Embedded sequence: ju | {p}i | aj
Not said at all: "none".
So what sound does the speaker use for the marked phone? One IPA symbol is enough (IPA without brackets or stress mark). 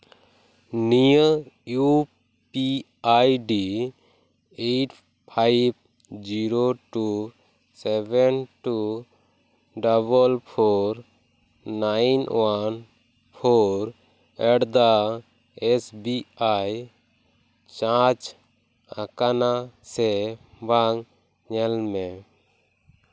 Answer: p